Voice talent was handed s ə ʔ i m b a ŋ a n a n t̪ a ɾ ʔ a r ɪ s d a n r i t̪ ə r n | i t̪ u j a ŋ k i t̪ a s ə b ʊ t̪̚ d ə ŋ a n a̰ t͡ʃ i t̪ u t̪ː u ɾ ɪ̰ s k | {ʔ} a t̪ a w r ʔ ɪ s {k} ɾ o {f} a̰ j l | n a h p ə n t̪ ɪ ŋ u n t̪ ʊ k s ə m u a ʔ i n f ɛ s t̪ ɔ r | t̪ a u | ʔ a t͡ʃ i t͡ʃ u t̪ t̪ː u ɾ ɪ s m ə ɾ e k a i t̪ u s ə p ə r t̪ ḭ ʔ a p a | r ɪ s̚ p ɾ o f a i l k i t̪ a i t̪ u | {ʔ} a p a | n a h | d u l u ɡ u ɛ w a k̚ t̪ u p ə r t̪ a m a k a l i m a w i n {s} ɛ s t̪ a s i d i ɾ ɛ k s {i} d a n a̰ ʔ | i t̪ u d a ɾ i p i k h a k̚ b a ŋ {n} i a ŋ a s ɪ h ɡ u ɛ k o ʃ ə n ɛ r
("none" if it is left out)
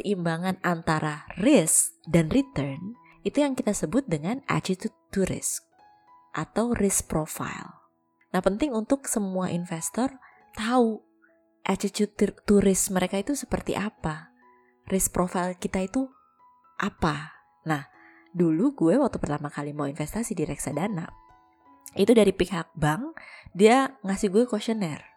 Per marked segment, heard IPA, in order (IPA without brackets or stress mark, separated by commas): ʔ, p, f, ʔ, f, a, d